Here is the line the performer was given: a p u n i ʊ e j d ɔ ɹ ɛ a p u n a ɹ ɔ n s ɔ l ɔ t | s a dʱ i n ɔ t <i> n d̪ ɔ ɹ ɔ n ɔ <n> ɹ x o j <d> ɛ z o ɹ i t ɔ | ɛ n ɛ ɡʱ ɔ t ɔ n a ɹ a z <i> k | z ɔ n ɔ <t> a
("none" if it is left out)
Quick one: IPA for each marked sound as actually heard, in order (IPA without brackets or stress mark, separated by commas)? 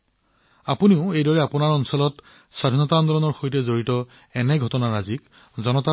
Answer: a, none, t, i, t